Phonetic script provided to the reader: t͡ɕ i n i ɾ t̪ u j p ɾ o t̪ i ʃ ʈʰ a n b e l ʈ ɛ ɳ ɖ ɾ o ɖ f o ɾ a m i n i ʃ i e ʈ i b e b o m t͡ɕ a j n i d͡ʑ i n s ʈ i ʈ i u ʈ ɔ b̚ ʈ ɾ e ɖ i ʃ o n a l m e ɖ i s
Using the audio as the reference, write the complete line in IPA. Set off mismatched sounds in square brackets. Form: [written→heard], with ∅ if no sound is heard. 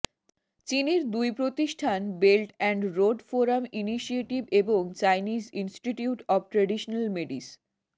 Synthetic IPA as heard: t͡ɕ i n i ɾ [t̪→d̪] u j p ɾ o t̪ i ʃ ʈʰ a n b e l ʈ ɛ ɳ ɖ ɾ o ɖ f o ɾ a m i n i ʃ i e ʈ i b e b o [m→ŋ] t͡ɕ a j n i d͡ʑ i n s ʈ i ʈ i u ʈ ɔ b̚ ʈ ɾ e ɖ i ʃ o n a l m e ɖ i s